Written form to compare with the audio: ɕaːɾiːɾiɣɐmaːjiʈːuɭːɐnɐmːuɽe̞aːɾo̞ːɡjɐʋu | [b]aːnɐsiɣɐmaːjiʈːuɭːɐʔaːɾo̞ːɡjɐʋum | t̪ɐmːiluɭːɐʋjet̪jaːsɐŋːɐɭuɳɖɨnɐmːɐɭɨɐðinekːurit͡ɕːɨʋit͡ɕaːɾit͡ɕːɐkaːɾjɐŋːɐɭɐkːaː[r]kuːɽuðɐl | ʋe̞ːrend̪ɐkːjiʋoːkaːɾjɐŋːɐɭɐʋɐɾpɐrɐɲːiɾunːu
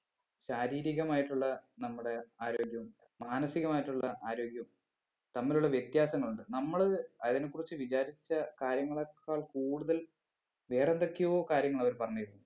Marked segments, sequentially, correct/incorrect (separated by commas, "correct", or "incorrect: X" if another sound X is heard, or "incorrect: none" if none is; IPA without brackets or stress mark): incorrect: m, incorrect: ɭ